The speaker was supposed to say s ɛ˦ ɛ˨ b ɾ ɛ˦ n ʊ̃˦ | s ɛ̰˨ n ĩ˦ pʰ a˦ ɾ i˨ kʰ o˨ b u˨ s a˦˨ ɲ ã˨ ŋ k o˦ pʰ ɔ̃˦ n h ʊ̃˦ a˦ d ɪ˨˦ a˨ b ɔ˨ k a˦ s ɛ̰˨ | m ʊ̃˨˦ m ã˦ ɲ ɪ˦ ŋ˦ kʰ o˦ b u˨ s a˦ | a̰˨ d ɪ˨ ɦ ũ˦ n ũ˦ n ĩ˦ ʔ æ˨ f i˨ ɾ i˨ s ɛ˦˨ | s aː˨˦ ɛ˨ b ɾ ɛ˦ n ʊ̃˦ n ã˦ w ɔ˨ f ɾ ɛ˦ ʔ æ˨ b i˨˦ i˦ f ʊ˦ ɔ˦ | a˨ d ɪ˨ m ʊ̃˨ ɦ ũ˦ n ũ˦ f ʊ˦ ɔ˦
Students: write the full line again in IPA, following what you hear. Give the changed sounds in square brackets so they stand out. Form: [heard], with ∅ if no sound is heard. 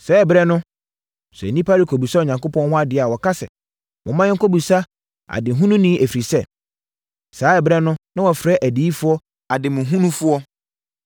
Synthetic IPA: s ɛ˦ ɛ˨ b ɾ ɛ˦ n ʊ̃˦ | s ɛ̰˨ n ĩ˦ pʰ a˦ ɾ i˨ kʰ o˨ b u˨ s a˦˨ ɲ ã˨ ŋ k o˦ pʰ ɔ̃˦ n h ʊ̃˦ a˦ d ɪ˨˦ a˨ [w] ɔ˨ k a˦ s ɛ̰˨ | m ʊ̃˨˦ m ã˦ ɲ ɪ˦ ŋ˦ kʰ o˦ b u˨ s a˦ | a̰˨ d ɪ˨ ɦ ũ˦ n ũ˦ n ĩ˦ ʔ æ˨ f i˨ ɾ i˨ s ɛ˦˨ | s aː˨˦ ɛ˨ b ɾ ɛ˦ n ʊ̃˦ n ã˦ w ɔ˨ f ɾ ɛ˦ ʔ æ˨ [d] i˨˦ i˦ f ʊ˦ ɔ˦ | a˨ d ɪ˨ m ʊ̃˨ ɦ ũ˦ n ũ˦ f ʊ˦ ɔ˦